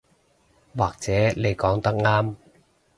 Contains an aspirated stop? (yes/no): no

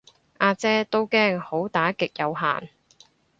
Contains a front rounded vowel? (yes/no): no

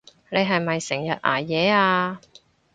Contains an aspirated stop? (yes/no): no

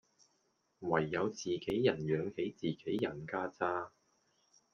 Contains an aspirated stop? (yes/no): no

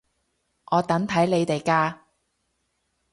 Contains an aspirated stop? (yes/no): yes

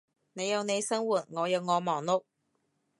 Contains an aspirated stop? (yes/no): no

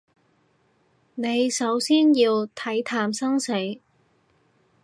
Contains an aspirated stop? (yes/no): yes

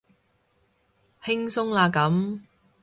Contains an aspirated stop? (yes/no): no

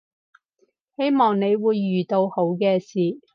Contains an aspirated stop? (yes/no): no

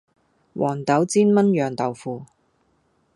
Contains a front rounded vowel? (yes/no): yes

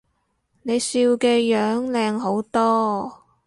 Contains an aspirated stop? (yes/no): no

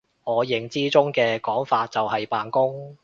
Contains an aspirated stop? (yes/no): no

